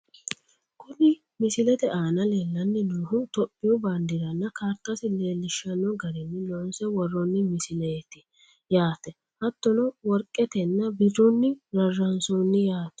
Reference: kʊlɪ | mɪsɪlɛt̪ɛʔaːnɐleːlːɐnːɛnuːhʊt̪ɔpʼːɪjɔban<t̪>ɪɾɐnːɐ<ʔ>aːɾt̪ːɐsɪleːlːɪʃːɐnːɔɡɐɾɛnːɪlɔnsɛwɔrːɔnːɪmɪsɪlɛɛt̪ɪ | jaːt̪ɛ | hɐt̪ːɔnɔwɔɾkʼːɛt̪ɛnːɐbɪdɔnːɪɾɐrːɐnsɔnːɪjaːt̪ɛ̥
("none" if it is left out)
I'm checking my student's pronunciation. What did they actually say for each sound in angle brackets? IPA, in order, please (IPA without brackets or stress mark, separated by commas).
d̪, k